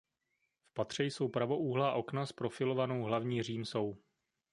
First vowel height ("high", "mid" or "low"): low